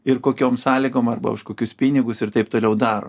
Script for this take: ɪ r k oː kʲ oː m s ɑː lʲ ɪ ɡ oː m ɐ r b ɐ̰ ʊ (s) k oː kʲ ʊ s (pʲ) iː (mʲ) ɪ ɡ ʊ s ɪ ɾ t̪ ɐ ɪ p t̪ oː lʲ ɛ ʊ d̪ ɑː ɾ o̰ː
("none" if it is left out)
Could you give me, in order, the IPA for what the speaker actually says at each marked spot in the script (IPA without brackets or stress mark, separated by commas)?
ʃ, pʲ, nʲ